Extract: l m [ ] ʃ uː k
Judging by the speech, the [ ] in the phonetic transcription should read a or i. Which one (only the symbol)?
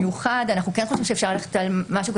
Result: a